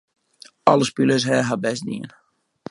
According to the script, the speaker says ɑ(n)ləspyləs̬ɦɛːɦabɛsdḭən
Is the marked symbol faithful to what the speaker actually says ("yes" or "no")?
no